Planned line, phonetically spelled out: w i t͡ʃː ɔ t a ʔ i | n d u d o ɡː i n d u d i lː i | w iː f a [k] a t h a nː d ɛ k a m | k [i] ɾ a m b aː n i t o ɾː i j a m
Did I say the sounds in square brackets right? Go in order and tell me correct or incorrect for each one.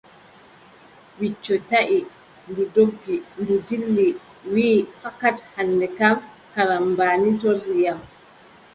correct, incorrect: a

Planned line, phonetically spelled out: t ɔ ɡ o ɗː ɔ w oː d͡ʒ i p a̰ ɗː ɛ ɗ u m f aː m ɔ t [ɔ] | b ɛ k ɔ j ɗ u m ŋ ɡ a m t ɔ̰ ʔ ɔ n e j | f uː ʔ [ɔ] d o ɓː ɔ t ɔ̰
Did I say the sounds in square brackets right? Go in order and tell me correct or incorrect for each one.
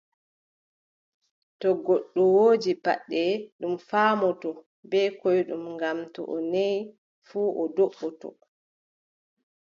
correct, correct

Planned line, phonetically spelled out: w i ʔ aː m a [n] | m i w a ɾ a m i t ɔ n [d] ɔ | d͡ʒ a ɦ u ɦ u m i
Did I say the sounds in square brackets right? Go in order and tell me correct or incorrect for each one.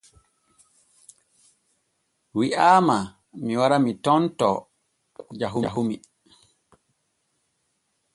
incorrect: none, incorrect: t

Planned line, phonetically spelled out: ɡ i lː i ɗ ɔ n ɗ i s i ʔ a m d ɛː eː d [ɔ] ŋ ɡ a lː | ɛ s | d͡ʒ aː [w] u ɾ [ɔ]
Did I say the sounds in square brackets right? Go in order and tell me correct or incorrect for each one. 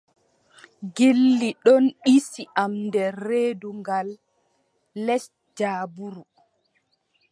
incorrect: u, incorrect: b, incorrect: u

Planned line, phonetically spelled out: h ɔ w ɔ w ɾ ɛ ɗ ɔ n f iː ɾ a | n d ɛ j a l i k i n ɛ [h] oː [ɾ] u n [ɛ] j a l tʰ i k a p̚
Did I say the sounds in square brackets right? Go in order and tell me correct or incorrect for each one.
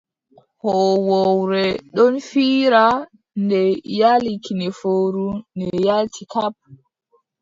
incorrect: f, correct, correct

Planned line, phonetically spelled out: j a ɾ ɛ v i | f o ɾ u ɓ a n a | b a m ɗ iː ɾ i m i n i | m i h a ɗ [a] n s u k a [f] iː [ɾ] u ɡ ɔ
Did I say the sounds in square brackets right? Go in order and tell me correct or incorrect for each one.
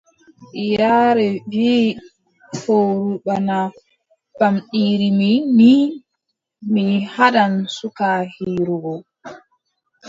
correct, incorrect: h, correct

